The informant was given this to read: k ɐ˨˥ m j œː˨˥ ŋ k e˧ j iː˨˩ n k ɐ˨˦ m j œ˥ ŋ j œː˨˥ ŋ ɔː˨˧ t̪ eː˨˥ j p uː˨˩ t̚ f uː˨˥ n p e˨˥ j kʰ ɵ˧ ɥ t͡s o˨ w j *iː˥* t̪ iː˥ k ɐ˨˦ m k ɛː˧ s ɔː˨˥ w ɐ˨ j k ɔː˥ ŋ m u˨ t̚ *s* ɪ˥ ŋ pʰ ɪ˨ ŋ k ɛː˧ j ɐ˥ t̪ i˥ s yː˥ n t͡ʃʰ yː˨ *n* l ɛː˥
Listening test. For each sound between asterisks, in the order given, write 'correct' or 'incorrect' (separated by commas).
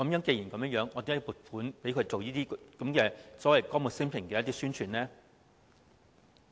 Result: correct, correct, correct